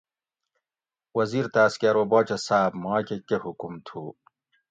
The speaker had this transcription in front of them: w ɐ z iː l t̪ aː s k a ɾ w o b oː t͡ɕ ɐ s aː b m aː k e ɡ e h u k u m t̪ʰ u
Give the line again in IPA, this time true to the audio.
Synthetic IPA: w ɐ z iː ɾ t̪ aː s k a ɾ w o b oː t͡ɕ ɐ s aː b m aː k e k e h u k u m t̪ʰ u